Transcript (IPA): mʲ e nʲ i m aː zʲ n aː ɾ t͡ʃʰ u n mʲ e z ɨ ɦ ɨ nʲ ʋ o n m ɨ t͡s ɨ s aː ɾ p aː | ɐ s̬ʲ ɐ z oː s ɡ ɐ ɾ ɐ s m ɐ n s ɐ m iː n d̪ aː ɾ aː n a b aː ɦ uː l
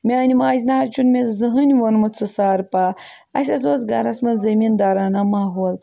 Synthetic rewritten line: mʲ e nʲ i m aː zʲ n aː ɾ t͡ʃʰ u n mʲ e z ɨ ɦ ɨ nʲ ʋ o n m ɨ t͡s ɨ s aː ɾ p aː | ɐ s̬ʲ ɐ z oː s ɡ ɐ ɾ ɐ s m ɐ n z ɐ m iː n d̪ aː ɾ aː n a m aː ɦ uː l